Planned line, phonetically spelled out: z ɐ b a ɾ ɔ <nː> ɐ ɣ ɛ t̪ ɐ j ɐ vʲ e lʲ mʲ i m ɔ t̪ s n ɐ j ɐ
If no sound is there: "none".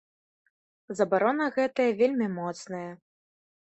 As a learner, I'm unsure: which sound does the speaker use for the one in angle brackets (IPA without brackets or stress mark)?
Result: n